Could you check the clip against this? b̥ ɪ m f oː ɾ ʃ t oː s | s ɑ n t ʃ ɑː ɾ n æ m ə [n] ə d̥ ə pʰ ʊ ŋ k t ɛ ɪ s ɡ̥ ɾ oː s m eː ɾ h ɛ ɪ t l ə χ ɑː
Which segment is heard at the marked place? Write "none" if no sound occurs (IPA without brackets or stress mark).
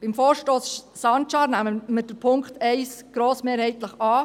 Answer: m